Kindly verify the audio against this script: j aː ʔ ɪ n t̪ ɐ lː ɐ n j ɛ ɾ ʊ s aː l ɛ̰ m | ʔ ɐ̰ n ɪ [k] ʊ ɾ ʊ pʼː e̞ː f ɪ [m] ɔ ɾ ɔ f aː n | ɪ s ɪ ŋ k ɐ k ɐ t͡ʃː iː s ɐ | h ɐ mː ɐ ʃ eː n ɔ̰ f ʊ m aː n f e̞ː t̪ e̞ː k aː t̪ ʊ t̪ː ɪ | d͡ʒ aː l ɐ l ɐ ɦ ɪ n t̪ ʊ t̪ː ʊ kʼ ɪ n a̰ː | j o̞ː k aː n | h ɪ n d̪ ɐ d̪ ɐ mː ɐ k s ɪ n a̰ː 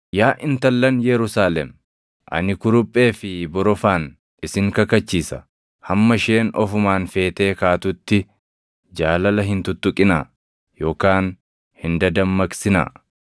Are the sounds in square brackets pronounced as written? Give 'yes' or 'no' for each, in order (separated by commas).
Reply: yes, no